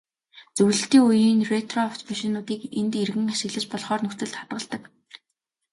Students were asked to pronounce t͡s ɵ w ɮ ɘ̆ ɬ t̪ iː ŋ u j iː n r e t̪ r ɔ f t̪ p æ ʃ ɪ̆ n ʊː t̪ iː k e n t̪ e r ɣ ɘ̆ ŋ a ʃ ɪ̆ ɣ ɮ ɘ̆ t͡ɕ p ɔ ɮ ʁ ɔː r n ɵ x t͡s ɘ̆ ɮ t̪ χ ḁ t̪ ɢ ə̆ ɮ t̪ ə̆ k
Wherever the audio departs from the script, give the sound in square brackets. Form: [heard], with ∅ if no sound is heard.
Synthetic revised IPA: t͡s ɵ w ɮ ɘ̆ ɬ t̪ iː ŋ u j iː n r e t̪ r ɔ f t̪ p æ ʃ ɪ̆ n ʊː t̪ iː k e n t̪ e r ɣ ɘ̆ ŋ a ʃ ɪ̆ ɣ ɮ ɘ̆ t͡ɕ p ɔ ɮ [χ] ɔː r n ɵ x t͡s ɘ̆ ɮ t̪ χ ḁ t̪ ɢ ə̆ ɮ t̪ ə̆ k